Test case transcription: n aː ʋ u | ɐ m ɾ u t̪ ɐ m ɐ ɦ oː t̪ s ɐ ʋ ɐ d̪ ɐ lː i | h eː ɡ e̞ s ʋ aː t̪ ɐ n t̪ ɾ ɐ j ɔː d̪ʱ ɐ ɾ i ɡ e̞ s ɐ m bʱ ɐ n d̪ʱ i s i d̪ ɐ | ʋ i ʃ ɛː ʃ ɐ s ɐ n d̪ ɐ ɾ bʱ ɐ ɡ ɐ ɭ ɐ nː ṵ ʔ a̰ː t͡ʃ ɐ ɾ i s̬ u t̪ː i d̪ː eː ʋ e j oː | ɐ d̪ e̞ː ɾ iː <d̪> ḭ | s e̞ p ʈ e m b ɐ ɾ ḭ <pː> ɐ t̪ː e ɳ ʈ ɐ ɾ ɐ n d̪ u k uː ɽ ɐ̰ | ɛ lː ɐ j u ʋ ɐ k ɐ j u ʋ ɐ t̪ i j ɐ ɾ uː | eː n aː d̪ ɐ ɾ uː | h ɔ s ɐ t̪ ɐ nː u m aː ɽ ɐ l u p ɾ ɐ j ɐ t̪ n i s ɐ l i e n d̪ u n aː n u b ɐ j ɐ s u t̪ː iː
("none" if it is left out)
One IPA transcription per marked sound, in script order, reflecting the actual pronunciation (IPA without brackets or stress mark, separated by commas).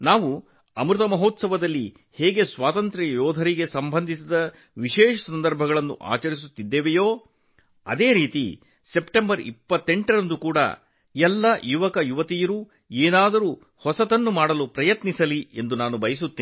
t̪, pː